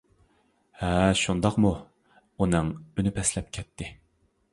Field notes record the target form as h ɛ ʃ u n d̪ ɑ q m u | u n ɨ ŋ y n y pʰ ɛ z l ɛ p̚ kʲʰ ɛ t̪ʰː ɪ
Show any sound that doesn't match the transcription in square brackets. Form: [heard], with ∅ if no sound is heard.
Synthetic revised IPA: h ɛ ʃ u n d̪ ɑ q m u | u n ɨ ŋ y n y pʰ ɛ [s] l ɛ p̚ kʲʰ ɛ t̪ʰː ɪ